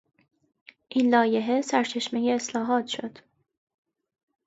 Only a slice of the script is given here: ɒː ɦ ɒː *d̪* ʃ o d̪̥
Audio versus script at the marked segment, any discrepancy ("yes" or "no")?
yes